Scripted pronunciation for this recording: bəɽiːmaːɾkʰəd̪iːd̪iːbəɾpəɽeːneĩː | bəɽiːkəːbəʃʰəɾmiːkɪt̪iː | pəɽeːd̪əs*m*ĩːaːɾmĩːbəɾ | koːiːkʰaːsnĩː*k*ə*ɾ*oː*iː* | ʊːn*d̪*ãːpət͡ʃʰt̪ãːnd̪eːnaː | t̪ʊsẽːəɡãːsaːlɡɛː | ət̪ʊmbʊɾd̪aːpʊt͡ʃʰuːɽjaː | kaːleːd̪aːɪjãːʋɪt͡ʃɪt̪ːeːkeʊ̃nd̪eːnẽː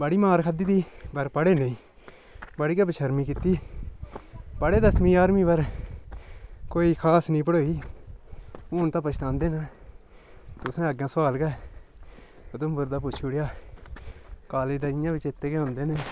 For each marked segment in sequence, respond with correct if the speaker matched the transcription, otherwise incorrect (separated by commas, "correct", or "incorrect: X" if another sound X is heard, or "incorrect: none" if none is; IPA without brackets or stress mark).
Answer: correct, incorrect: p, incorrect: ɽ, correct, incorrect: t̪